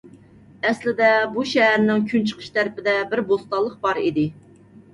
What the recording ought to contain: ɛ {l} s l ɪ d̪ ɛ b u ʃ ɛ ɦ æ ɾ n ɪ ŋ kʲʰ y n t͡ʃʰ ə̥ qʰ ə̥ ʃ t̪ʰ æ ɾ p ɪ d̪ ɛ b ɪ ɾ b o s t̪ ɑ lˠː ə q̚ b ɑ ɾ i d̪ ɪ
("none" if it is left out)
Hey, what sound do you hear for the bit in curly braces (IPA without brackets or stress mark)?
none